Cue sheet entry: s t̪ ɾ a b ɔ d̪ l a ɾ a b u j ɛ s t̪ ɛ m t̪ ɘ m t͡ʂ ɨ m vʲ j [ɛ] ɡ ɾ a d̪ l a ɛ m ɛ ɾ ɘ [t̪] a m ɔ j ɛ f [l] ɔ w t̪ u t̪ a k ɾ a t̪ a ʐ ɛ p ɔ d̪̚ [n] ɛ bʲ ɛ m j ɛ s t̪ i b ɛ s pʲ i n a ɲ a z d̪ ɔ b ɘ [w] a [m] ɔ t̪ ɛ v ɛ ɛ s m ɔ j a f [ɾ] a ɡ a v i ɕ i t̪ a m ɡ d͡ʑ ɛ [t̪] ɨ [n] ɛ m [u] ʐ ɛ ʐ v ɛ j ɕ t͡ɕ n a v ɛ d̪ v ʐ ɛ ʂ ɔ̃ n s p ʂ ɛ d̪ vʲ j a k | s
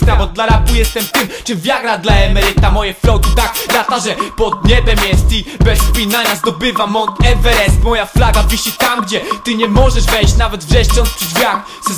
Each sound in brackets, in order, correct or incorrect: incorrect: a, correct, correct, incorrect: ɲ, incorrect: v, correct, incorrect: l, correct, incorrect: ɲ, incorrect: ɔ

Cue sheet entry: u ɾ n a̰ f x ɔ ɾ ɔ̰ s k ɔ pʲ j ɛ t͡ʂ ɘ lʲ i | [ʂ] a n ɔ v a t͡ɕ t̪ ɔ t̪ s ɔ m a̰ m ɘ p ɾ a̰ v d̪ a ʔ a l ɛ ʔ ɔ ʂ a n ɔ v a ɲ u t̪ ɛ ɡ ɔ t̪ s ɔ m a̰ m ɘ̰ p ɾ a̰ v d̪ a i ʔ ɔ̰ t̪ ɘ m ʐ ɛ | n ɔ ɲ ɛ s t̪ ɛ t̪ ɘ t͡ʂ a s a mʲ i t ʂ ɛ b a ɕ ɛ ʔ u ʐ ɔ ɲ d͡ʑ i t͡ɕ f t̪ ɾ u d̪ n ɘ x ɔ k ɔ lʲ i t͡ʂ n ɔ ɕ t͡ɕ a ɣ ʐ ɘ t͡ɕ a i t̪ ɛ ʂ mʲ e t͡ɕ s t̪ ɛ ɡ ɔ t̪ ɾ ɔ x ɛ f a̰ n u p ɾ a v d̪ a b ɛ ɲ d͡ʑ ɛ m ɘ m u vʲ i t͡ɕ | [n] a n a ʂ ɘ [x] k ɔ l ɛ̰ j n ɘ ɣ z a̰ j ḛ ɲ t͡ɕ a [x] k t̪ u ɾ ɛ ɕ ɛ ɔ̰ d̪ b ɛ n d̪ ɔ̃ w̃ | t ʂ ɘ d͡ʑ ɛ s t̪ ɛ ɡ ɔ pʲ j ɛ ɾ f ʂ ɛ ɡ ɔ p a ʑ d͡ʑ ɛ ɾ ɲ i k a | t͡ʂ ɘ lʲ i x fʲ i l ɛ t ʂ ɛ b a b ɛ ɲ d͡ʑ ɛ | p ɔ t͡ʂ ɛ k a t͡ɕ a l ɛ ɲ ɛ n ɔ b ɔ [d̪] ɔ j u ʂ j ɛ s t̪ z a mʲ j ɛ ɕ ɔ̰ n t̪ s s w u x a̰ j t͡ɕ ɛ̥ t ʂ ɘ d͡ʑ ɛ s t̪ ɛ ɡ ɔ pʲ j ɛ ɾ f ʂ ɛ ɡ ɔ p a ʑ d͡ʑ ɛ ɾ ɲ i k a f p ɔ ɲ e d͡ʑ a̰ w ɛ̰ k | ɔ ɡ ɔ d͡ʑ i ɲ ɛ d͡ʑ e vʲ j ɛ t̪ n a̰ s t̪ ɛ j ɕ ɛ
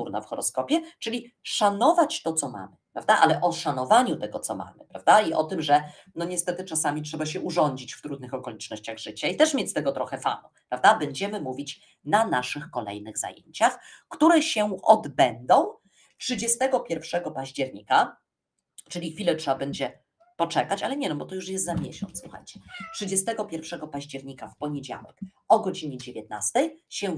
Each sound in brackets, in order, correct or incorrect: correct, correct, correct, correct, incorrect: t̪

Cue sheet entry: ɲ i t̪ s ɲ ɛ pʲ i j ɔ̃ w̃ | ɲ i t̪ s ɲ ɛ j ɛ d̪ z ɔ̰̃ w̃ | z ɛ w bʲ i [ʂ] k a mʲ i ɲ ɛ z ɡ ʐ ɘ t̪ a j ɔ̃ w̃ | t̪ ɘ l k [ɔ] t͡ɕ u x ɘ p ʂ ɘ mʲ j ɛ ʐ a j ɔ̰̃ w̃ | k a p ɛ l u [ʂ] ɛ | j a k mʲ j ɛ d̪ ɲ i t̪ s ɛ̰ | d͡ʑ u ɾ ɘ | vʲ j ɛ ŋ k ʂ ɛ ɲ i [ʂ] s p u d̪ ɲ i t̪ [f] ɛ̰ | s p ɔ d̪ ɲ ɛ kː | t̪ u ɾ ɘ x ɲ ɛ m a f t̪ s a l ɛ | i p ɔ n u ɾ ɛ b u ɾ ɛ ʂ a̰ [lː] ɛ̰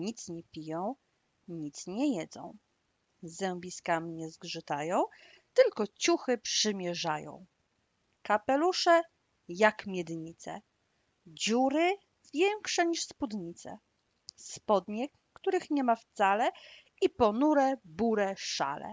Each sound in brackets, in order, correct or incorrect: incorrect: s, correct, correct, correct, incorrect: s, incorrect: l

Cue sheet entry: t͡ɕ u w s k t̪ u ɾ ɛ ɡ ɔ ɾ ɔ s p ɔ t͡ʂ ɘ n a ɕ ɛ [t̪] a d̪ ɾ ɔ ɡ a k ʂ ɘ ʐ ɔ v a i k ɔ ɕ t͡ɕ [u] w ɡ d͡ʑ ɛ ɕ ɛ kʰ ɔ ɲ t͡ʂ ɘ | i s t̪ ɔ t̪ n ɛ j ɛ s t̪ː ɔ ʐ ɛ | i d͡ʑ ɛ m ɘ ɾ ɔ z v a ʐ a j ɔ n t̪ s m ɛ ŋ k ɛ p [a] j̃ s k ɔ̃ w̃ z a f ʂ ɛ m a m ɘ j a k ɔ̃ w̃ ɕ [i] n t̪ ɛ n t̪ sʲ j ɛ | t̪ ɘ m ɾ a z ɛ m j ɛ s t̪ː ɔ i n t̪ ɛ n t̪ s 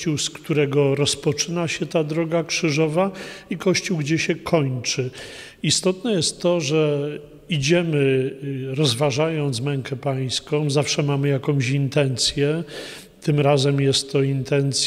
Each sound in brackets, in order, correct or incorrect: correct, correct, correct, correct

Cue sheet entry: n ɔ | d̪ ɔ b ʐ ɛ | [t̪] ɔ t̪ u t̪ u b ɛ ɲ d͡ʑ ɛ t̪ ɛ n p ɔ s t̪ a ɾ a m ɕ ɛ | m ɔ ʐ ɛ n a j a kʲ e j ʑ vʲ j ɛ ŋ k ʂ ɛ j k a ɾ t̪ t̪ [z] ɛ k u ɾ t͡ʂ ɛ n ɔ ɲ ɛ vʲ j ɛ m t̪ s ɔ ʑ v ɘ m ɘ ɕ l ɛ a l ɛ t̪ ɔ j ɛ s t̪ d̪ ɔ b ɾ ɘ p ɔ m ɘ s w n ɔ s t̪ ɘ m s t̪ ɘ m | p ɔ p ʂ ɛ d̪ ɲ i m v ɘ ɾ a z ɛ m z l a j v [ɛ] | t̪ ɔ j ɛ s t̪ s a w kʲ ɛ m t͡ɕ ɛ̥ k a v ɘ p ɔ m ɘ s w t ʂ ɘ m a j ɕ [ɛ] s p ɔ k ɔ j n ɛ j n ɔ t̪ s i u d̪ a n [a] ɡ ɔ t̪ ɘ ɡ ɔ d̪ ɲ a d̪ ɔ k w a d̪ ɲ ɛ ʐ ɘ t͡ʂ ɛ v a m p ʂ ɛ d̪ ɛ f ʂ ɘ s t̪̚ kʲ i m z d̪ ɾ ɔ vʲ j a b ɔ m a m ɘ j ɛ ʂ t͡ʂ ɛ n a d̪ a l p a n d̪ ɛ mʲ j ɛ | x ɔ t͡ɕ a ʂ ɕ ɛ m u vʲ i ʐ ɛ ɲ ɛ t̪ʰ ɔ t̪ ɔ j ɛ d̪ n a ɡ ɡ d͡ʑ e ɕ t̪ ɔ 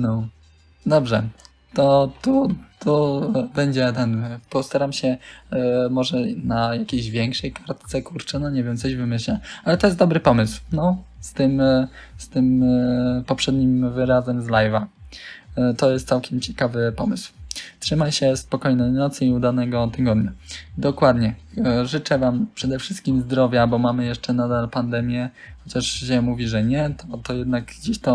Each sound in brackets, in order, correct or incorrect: correct, incorrect: s, incorrect: a, correct, incorrect: ɛ

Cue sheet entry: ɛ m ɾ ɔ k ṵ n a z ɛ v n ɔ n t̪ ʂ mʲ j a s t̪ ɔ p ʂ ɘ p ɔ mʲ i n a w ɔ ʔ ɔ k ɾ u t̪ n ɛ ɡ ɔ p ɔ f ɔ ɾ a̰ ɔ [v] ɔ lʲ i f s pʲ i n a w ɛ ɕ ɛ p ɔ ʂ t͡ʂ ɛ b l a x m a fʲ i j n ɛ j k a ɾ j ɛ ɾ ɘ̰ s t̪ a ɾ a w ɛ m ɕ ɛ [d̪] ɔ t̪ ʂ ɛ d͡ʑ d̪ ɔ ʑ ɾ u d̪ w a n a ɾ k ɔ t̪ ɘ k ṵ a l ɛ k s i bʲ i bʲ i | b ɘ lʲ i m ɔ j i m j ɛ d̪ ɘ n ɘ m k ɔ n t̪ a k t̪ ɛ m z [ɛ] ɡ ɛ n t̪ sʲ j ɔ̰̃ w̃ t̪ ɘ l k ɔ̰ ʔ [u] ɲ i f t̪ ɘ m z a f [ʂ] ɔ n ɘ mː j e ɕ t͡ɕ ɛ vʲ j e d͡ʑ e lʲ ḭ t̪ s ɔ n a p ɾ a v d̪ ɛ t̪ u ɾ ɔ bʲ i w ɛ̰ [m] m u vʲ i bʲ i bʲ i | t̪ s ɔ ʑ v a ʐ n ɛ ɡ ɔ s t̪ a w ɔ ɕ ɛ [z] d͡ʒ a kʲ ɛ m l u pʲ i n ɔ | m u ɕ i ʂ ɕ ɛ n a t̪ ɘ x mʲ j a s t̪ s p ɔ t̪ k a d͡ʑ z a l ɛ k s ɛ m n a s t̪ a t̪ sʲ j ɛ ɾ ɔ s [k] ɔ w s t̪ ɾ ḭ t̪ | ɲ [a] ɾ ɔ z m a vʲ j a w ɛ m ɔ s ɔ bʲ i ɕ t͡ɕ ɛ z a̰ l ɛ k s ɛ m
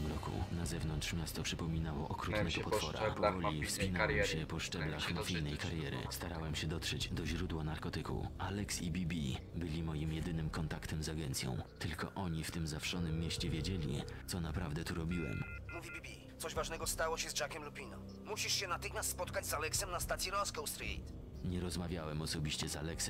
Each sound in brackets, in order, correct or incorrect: correct, correct, incorrect: a, incorrect: ɔ, correct, correct, correct, correct, incorrect: ɛ

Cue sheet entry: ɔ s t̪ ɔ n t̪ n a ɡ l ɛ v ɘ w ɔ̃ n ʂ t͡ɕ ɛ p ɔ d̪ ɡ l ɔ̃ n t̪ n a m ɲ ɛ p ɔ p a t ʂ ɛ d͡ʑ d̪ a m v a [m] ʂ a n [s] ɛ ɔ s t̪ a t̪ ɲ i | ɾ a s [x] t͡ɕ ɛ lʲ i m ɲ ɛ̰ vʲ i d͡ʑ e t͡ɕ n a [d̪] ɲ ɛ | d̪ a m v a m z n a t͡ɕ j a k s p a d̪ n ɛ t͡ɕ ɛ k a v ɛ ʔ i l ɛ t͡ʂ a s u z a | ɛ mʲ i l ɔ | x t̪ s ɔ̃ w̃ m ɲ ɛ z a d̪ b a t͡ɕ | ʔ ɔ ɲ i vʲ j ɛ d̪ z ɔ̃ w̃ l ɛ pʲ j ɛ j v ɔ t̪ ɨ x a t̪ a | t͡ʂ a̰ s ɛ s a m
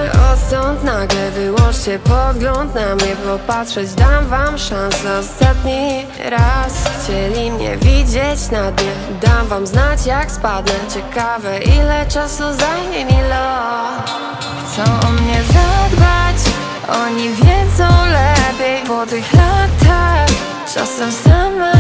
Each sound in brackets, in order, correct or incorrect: correct, correct, correct, correct

